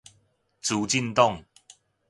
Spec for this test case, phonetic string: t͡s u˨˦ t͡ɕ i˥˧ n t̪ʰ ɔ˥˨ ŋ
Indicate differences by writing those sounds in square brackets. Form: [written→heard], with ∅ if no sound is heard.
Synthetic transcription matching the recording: t͡s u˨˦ t͡ɕ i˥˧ n [t̪ʰ→t̪] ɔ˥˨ ŋ